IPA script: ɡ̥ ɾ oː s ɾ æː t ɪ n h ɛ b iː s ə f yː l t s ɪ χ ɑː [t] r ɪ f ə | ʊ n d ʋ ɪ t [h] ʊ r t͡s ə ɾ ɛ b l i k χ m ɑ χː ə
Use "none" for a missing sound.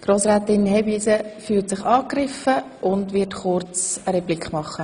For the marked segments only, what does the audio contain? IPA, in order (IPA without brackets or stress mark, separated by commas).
k, χ